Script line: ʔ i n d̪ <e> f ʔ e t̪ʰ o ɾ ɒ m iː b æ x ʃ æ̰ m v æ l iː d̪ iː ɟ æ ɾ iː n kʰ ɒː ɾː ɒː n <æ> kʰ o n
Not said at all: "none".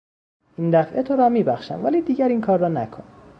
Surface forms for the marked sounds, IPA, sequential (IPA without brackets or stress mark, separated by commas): æ, æ